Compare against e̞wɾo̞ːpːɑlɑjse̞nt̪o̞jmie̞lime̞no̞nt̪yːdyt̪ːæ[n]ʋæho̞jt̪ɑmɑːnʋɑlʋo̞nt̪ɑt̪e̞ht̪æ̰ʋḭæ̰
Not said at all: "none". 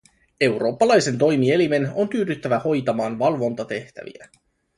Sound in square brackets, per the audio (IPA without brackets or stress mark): none